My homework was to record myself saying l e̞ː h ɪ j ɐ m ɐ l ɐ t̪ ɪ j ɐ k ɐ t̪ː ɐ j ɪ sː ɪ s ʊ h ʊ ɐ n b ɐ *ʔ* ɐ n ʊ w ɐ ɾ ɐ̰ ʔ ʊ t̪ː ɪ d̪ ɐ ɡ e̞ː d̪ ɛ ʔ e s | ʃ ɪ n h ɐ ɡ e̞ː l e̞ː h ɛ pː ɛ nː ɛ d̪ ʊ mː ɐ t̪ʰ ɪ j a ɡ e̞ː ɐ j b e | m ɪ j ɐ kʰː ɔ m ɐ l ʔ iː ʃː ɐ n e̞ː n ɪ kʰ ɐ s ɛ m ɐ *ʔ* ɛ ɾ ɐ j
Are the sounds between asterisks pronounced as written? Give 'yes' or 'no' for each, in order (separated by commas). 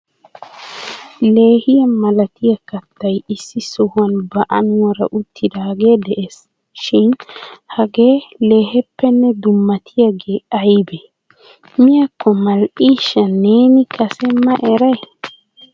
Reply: yes, yes